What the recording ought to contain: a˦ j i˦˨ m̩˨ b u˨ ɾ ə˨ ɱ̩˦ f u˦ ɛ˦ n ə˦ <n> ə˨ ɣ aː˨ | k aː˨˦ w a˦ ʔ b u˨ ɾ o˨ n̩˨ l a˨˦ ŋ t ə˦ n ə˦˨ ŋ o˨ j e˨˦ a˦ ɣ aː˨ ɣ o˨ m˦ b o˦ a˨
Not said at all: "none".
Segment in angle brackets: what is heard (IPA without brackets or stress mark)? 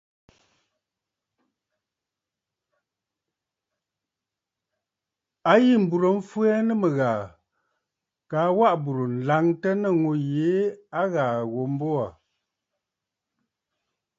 m